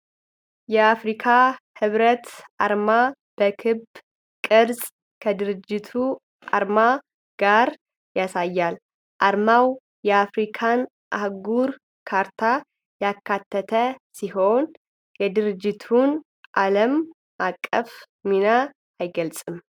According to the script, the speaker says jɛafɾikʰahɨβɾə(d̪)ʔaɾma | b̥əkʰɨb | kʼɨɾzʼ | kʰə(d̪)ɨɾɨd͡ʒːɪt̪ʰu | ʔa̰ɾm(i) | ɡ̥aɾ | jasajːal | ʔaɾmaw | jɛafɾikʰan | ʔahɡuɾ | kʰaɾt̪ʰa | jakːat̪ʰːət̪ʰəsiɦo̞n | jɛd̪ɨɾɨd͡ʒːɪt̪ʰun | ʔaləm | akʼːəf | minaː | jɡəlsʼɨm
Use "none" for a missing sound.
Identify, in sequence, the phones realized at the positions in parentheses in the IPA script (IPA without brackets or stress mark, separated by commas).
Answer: t̪, d̪, a